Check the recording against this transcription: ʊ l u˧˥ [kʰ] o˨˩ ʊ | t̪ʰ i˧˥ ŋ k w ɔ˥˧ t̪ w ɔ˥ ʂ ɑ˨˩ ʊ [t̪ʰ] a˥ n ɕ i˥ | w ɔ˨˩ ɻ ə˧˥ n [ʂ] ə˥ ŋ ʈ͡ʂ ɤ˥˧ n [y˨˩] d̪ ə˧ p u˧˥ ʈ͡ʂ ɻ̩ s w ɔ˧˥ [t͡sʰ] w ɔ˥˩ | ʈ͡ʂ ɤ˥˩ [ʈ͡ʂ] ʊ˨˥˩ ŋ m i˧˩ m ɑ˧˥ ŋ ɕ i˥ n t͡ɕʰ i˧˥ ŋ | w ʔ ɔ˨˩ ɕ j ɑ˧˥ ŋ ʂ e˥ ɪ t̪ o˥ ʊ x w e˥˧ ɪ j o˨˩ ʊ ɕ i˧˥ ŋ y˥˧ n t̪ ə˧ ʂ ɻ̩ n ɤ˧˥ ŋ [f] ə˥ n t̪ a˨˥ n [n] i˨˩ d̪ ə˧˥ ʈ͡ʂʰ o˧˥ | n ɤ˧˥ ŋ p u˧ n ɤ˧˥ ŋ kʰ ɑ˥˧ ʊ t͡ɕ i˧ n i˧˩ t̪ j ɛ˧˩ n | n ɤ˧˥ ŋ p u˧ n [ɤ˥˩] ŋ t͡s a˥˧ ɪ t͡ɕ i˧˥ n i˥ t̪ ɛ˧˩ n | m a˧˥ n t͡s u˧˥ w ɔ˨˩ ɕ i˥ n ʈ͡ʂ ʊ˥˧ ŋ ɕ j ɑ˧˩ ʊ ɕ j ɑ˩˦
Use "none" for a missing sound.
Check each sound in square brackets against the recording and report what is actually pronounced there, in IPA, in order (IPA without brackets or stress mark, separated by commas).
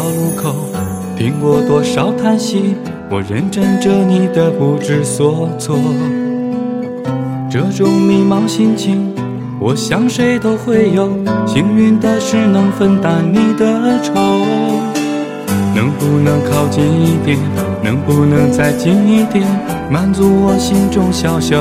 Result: kʰ, t̪ʰ, ʈ͡ʂ, i˨˩, t͡sʰ, ʈ͡ʂ, f, n, ɤ˧˥